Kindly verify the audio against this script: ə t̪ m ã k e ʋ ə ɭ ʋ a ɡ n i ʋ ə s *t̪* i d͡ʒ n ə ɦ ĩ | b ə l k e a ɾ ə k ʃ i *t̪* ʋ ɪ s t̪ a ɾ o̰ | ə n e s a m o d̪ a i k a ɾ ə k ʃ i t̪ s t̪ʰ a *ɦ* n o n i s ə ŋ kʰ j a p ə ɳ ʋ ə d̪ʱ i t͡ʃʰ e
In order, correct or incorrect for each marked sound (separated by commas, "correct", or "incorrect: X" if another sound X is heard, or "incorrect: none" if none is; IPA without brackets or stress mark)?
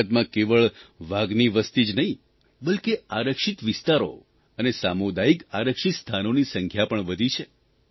correct, correct, incorrect: none